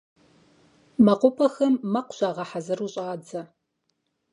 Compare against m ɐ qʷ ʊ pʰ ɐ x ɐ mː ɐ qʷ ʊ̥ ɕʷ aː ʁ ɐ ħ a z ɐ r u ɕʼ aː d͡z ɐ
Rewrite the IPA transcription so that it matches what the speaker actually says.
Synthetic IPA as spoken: m ɐ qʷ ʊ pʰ ɐ x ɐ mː ɐ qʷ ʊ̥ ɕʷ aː ʁ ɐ ħ a z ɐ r u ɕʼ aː d͡z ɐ

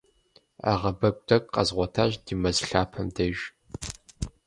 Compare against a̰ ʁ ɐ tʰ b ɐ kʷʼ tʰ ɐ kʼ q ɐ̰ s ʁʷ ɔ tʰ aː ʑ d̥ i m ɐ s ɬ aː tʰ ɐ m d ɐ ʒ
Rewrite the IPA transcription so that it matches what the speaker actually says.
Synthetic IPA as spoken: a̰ ʁ ɐ b ɐ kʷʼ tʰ ɐ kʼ q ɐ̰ z ʁʷ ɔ tʰ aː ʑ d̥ i m ɐ z ɬ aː pʰ ɐ m d ɐ ʒ

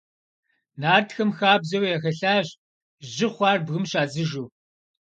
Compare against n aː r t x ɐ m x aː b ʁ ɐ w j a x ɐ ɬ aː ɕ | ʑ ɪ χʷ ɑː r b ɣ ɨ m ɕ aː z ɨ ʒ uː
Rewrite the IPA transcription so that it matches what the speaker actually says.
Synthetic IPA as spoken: n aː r t x ɐ m x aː b z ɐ w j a x ɐ ɬ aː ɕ | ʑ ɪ χʷ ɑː r b ɣ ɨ m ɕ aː z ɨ ʒ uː

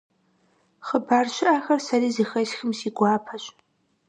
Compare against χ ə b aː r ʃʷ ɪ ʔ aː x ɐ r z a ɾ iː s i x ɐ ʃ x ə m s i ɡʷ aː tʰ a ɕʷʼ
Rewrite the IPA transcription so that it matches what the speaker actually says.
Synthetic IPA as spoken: χ ə b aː r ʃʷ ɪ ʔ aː x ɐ r s a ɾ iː z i x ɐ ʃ x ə m s i ɡʷ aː pʰ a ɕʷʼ

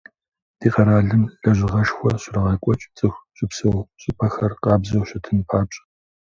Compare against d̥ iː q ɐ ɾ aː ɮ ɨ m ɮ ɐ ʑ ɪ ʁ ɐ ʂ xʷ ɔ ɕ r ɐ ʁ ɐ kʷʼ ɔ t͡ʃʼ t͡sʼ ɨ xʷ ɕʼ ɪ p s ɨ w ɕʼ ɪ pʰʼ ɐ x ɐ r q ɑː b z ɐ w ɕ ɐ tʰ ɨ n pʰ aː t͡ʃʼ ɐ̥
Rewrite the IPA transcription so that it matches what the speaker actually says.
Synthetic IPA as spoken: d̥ iː q ɐ ɾ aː ɮ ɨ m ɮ ɐ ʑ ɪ ʁ ɐ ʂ xʷ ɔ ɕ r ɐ ʁ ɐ kʷʼ ɔ t͡ʃʼ t͡sʼ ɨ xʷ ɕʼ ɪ p s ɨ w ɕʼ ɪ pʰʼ ɐ x ɐ r q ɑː b z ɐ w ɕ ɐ tʰ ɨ n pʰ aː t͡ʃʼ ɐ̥

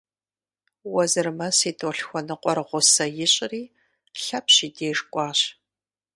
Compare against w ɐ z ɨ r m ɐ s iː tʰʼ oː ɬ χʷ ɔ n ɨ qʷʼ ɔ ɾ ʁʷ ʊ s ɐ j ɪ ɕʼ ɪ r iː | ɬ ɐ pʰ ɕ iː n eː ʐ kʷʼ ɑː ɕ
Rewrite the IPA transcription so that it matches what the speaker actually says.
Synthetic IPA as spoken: w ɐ z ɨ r m ɐ s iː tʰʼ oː ɬ xʷ ɔ n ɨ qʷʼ ɔ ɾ ʁʷ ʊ s ɐ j ɪ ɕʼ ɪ r iː | ɬ ɐ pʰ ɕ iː d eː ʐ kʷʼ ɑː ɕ

